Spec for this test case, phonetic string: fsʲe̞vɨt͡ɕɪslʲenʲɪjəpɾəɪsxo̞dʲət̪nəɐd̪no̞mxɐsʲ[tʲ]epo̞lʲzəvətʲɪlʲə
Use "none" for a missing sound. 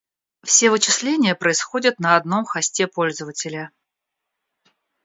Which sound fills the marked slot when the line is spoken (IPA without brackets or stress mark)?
tʲ